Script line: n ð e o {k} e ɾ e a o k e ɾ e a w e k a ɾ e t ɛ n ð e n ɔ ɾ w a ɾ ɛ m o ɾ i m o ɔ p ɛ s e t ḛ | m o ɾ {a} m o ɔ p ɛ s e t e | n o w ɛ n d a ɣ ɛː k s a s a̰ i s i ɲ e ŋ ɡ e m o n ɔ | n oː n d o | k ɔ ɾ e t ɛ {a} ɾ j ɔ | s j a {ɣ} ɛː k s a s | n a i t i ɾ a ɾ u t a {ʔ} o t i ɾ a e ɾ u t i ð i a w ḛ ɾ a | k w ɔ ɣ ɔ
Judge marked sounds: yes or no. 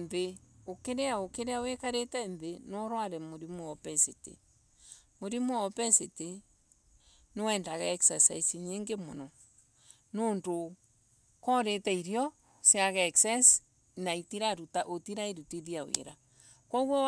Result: yes, no, no, yes, yes

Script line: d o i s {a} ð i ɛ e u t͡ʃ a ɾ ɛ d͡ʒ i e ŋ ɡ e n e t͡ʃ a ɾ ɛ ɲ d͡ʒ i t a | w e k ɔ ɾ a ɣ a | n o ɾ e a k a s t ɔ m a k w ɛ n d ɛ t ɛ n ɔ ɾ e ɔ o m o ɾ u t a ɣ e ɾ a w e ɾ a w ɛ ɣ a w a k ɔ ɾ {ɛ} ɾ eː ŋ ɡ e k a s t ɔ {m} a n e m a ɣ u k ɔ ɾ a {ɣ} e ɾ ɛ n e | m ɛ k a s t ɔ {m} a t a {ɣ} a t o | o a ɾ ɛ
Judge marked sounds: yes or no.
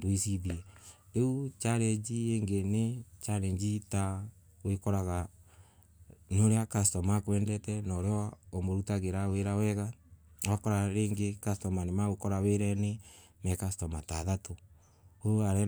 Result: no, no, yes, no, yes, no

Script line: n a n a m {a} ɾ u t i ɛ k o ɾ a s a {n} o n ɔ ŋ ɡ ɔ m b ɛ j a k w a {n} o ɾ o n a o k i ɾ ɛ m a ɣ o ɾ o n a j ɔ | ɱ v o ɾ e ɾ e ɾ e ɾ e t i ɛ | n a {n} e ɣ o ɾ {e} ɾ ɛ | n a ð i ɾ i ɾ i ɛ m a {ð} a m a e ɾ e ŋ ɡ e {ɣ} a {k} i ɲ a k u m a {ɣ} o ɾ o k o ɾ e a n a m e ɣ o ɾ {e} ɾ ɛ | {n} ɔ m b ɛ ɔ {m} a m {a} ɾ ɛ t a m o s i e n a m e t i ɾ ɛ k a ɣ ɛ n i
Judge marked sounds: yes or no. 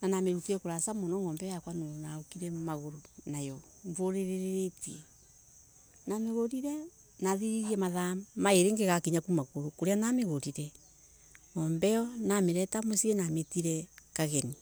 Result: no, no, yes, no, no, yes, yes, yes, yes, no, no, no, no

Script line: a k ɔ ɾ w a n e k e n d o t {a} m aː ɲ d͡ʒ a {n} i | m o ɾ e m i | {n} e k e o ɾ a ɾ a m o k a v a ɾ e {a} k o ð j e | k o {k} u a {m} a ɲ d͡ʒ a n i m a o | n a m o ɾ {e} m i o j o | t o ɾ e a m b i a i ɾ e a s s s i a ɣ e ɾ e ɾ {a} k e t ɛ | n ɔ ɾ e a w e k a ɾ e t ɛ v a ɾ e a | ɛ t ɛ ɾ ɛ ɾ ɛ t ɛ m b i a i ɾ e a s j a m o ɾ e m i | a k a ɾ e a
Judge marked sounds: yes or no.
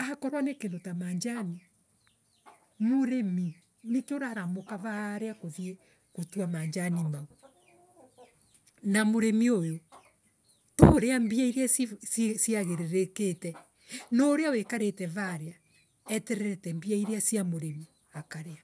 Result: yes, yes, yes, yes, no, yes, yes, no

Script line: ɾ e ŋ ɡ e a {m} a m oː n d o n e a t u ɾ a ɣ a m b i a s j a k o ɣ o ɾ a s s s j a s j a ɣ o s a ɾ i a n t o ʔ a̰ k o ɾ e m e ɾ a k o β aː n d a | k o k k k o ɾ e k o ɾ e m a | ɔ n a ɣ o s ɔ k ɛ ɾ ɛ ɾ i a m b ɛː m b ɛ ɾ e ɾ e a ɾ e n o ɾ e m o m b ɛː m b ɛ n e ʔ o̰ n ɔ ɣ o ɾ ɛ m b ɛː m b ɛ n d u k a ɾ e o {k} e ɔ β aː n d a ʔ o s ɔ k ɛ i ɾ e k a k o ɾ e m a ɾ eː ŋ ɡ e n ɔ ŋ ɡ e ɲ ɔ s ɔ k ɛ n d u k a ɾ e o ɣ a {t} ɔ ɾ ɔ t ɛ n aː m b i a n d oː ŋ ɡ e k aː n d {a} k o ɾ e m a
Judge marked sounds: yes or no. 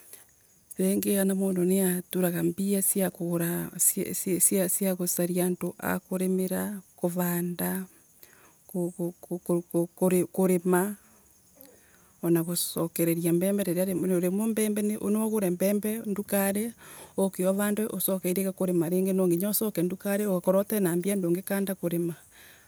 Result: no, yes, no, yes

